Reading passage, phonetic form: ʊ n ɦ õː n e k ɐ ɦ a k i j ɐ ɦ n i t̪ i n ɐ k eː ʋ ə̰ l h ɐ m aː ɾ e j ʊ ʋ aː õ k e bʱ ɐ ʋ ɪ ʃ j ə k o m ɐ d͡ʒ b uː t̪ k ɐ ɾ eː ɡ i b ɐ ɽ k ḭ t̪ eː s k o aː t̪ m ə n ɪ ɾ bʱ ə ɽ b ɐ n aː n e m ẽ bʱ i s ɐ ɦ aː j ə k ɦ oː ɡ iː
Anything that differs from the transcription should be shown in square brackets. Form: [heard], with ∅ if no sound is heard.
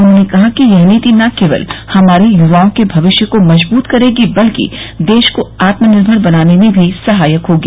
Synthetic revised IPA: ʊ n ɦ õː n e k ɐ ɦ a k i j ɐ ɦ n i t̪ i n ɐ k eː ʋ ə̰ l h ɐ m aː ɾ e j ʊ ʋ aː õ k e bʱ ɐ ʋ ɪ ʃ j ə k o m ɐ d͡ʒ b uː t̪ k ɐ ɾ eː ɡ i b ɐ [l] k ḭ [d̪] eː [ʃ] k o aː t̪ m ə n ɪ ɾ bʱ ə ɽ b ɐ n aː n e m ẽ bʱ i s ɐ ɦ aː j ə k ɦ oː ɡ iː